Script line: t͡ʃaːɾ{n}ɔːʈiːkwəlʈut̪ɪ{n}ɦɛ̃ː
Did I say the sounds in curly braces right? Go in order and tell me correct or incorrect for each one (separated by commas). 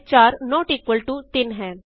correct, correct